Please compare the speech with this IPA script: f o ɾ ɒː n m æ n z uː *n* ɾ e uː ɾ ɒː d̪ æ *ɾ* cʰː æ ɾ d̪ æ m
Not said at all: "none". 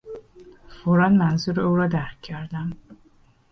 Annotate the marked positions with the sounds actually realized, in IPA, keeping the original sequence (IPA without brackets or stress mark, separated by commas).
none, ɾ